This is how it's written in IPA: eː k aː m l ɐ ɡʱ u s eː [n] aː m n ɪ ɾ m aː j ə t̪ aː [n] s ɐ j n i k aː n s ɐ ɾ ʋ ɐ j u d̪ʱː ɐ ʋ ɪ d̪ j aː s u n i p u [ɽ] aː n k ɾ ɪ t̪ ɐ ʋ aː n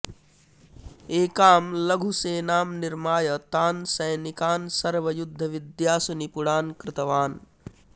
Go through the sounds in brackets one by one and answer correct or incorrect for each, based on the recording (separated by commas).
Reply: correct, correct, correct